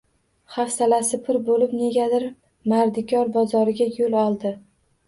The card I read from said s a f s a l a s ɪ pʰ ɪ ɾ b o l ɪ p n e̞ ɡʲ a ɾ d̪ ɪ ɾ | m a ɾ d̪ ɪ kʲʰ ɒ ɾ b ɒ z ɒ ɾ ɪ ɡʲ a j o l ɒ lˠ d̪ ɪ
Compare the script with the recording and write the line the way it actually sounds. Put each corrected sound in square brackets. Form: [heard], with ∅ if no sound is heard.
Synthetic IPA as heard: [χ] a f s a l a s ɪ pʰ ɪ ɾ b o l ɪ p n e̞ ɡʲ a [∅] d̪ ɪ ɾ | m a ɾ d̪ ɪ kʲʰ ɒ ɾ b ɒ z ɒ ɾ ɪ ɡʲ a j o l ɒ lˠ d̪ ɪ